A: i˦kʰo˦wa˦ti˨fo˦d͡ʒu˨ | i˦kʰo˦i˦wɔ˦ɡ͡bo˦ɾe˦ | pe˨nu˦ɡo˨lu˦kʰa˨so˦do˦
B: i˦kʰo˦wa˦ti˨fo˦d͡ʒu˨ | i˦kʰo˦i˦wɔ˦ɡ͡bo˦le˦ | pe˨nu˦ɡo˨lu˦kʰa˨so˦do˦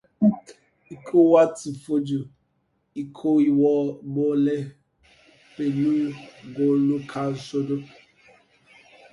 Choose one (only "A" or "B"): B